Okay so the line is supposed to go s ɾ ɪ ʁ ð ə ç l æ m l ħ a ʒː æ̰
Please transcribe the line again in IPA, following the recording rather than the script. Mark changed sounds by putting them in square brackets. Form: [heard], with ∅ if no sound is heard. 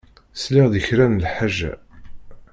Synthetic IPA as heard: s [l] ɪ ʁ ð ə ç [ɾ] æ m l ħ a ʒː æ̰